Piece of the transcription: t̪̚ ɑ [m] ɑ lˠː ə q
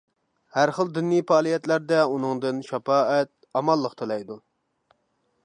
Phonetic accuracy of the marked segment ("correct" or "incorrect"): correct